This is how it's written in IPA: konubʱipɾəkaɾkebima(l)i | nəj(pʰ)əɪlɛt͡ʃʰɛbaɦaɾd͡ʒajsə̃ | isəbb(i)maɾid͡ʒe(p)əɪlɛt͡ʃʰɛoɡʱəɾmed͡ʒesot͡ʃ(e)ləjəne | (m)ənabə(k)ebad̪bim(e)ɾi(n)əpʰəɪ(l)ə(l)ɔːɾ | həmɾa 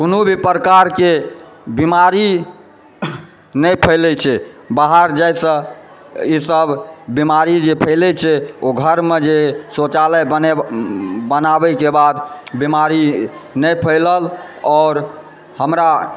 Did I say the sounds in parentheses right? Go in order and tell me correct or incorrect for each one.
incorrect: ɾ, correct, correct, incorrect: pʰ, incorrect: a, incorrect: b, correct, incorrect: a, correct, correct, correct

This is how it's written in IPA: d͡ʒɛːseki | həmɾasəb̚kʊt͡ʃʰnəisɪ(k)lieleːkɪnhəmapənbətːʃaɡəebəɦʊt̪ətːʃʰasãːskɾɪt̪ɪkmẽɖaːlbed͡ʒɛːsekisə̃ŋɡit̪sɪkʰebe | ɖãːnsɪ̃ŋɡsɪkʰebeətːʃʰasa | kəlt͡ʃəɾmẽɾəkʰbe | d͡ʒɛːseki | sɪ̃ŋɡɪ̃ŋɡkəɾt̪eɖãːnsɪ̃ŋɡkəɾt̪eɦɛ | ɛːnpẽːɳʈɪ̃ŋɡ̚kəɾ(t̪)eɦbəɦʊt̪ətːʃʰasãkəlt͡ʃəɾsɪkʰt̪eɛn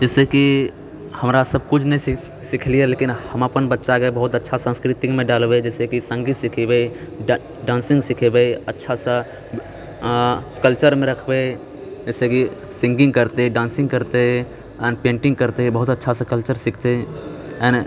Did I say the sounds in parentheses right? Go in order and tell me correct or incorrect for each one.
incorrect: kʰ, correct

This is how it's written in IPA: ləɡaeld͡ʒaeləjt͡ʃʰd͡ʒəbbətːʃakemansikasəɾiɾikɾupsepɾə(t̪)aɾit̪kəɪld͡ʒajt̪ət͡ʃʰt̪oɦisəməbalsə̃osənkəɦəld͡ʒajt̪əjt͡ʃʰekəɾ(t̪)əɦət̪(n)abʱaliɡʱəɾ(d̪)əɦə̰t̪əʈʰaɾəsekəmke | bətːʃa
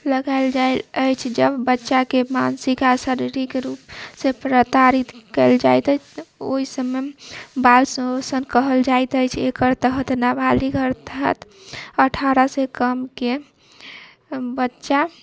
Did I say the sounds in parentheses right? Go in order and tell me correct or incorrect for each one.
correct, correct, correct, incorrect: t̪

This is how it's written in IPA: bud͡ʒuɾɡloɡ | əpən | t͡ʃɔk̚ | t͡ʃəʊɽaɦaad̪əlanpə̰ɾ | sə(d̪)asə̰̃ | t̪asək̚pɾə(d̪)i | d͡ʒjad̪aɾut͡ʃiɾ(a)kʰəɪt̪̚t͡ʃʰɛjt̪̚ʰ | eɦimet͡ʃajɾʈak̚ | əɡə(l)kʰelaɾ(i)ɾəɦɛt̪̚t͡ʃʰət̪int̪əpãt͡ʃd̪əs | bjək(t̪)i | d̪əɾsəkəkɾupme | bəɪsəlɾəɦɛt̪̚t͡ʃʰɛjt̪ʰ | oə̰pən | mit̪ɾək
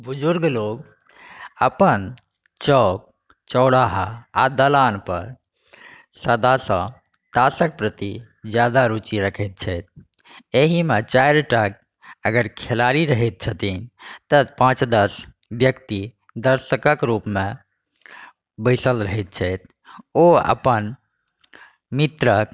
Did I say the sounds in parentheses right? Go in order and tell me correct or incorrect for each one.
correct, incorrect: t̪, incorrect: ə, incorrect: ɾ, correct, correct

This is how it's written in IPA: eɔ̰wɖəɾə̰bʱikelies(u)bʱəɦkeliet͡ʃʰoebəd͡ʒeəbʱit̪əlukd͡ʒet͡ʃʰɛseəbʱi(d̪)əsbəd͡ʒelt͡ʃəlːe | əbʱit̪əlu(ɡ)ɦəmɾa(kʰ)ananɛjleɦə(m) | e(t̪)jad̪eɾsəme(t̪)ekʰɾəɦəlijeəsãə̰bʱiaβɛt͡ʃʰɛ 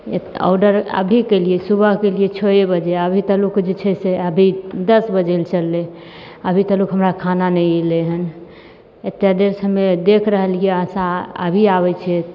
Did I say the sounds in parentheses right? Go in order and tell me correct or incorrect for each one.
correct, correct, incorrect: k, correct, incorrect: n, correct, incorrect: d̪

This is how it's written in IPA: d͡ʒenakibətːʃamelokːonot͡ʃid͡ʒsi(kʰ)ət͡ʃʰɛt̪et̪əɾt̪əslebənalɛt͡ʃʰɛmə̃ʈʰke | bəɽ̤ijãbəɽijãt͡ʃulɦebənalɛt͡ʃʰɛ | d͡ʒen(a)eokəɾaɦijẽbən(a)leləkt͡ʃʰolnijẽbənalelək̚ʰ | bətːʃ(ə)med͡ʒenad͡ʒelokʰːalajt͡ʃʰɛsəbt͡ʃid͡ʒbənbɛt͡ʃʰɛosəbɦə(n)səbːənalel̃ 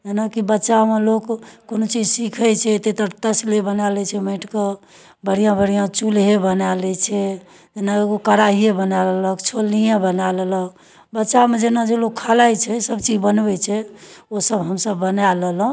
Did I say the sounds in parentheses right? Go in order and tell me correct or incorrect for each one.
correct, correct, correct, incorrect: a, incorrect: m

